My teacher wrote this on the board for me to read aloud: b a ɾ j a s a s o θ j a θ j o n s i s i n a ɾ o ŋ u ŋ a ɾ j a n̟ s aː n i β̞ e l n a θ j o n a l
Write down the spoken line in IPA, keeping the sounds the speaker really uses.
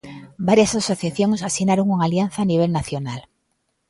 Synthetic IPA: b a ɾ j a s a s o θ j a θ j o ŋ s a s i n a ɾ o ŋ u ŋ a l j a n̟ θ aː n i β̞ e l n a θ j o n a l